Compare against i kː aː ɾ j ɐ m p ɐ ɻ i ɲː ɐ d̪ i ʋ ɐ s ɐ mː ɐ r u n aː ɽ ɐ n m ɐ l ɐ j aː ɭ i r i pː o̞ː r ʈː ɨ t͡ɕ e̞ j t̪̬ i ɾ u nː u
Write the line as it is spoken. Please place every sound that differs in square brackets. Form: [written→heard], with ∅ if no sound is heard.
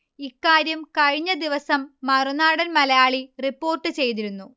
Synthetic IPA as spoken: i kː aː ɾ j ɐ m [p→k] ɐ ɻ i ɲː ɐ d̪ i ʋ ɐ s ɐ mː ɐ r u n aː ɽ ɐ n m ɐ l ɐ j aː ɭ i r i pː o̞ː r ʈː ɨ t͡ɕ e̞ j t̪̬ i ɾ u nː u

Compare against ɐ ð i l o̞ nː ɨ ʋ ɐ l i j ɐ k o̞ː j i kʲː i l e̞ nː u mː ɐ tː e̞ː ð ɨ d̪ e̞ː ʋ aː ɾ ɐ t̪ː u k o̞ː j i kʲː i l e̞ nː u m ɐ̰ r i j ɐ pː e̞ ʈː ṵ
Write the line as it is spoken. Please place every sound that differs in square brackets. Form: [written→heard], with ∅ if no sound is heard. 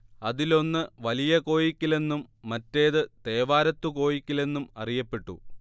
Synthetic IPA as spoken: ɐ ð i l o̞ nː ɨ ʋ ɐ l i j ɐ k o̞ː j i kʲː i l e̞ nː u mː ɐ tː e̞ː ð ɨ [d̪→t̪] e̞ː ʋ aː ɾ ɐ t̪ː u k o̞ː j i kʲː i l e̞ nː u m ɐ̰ r i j ɐ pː e̞ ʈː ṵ

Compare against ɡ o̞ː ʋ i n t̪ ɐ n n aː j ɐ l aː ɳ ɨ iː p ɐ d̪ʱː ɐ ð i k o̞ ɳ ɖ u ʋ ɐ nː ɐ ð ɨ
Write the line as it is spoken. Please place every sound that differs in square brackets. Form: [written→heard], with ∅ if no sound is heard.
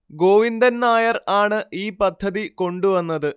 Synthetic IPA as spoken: ɡ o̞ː ʋ i n [t̪→d̪] ɐ n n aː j ɐ [l→r] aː ɳ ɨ iː p ɐ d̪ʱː ɐ ð i k o̞ ɳ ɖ u ʋ ɐ nː ɐ ð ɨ

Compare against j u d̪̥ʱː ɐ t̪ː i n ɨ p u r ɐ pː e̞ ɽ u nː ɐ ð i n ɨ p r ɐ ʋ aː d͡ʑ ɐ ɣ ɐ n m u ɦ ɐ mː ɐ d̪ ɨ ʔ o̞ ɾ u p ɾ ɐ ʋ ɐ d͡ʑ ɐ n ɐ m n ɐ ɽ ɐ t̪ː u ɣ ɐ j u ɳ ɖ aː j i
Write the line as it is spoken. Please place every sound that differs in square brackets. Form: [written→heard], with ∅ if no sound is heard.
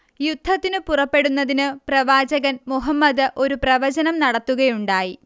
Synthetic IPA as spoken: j u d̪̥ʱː ɐ t̪ː i n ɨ p u r ɐ pː e̞ ɽ u nː ɐ ð i n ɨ p r ɐ ʋ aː d͡ʑ ɐ ɣ ɐ n m u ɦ ɐ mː ɐ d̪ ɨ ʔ o̞ ɾ u p [ɾ→r] ɐ ʋ ɐ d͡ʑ ɐ n ɐ m n ɐ ɽ ɐ t̪ː u ɣ ɐ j u ɳ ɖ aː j i

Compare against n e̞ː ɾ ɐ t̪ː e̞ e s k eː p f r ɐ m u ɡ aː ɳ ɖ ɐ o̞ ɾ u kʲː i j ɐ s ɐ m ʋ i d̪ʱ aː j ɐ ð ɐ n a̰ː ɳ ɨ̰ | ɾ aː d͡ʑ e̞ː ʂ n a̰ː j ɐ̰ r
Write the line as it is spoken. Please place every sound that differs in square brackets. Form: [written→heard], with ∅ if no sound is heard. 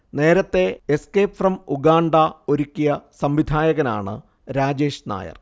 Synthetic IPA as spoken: n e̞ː ɾ ɐ t̪ː e̞ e s k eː p f r ɐ m u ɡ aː ɳ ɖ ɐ o̞ ɾ u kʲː i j ɐ s ɐ m ʋ i d̪ʱ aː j ɐ [ð→ɣ] ɐ n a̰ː ɳ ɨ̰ | ɾ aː d͡ʑ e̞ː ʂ n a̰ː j ɐ̰ r

